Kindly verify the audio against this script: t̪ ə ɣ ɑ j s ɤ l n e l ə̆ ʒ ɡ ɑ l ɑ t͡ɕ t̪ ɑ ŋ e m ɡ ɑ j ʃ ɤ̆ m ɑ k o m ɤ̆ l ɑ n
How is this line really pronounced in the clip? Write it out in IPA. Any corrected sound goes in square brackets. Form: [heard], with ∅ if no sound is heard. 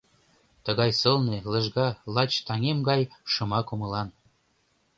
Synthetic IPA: t̪ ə ɣ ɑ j s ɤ l n e l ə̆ ʒ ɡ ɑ l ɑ t͡ɕ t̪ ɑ ŋ e m ɡ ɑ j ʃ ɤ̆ m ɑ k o m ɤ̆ l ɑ n